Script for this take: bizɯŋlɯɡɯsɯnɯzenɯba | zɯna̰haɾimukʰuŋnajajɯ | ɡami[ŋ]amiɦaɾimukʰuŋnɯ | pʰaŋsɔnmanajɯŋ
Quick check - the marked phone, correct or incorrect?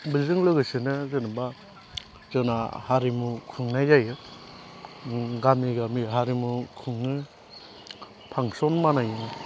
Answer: incorrect